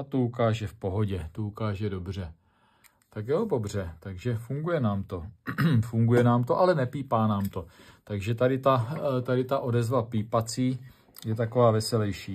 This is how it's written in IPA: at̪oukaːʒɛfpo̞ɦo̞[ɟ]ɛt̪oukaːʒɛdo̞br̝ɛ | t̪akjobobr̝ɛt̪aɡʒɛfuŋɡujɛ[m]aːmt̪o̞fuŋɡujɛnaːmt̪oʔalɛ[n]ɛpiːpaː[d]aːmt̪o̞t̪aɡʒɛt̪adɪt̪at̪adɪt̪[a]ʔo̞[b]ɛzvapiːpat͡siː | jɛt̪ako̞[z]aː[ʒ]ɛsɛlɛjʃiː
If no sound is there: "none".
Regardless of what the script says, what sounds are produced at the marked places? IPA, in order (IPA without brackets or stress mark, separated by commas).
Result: ɟ, n, n, n, a, d, v, v